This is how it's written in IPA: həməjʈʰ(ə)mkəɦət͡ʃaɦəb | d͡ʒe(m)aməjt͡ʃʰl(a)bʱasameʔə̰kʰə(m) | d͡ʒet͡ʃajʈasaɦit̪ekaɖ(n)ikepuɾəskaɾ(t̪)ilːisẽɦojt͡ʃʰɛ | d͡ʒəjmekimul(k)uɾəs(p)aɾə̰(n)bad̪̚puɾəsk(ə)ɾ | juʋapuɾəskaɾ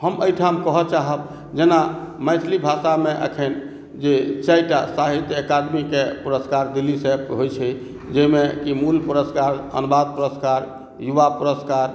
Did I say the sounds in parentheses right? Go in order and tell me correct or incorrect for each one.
incorrect: a, incorrect: n, incorrect: i, incorrect: n, incorrect: m, incorrect: d̪, incorrect: p, incorrect: k, correct, incorrect: a

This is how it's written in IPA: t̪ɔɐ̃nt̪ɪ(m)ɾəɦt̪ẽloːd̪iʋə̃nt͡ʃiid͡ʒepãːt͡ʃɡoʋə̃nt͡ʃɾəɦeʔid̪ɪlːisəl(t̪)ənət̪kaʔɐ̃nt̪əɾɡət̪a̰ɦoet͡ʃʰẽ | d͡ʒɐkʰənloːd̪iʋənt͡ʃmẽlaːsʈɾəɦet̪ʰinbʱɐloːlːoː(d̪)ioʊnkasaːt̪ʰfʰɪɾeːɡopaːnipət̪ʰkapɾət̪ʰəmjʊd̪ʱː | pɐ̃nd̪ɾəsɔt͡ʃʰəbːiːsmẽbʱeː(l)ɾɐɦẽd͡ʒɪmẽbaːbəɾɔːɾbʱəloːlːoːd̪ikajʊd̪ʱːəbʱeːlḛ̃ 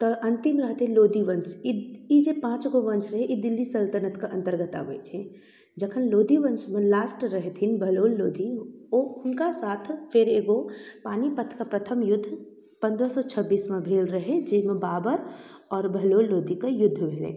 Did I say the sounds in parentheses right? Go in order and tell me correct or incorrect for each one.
correct, correct, correct, correct

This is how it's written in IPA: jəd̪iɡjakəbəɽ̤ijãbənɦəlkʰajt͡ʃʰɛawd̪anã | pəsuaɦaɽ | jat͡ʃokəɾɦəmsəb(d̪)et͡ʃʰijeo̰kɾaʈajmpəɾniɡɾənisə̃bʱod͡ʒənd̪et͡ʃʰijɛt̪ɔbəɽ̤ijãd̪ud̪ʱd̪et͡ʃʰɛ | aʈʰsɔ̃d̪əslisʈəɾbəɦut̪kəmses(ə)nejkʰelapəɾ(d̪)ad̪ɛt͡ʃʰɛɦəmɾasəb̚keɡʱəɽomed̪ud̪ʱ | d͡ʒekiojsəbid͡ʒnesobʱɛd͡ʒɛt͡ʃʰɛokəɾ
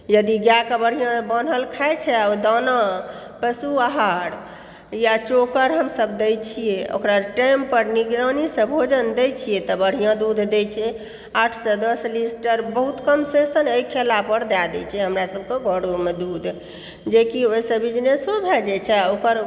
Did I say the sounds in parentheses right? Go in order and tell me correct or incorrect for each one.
correct, correct, correct

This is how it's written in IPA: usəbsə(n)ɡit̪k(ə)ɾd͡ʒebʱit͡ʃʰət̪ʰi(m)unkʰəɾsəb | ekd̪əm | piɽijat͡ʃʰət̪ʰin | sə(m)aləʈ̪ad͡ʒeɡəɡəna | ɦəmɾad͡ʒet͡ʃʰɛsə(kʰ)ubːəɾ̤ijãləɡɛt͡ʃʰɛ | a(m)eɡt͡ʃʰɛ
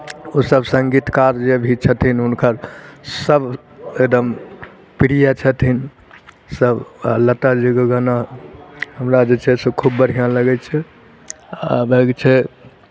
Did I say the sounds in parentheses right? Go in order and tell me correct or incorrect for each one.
incorrect: ŋ, incorrect: a, incorrect: n, incorrect: b, correct, incorrect: b

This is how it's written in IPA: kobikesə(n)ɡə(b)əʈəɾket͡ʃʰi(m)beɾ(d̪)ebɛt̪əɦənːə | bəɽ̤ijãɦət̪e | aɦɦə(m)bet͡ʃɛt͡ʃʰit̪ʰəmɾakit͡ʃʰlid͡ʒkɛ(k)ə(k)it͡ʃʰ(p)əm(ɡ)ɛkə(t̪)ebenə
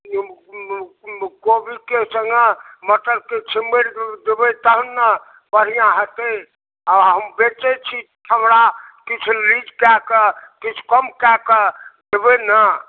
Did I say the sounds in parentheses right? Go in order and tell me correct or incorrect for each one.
incorrect: ŋ, incorrect: m, correct, correct, correct, correct, correct, incorrect: k, incorrect: k, incorrect: d̪

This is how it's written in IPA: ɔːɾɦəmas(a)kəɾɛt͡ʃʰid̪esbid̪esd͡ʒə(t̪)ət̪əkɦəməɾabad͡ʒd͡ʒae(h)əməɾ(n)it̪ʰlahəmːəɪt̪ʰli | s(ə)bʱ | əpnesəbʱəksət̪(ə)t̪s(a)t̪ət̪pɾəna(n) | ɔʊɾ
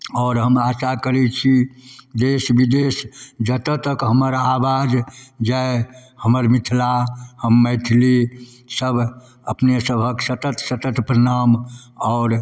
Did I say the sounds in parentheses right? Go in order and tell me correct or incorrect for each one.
correct, correct, correct, incorrect: m, correct, correct, incorrect: ə, incorrect: m

